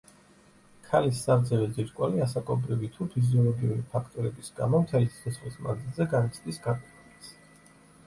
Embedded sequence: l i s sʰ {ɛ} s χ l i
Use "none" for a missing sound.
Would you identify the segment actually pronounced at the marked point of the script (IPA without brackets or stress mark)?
ɛ